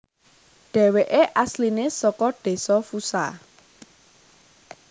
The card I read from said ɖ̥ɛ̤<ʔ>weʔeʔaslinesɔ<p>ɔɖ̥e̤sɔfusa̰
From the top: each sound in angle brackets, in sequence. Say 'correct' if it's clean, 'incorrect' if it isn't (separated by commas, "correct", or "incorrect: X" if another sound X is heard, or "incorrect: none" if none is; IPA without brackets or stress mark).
incorrect: none, incorrect: k